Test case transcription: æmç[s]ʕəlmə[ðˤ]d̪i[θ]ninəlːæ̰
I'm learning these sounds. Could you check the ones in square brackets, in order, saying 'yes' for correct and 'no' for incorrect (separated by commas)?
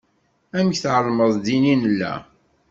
no, yes, no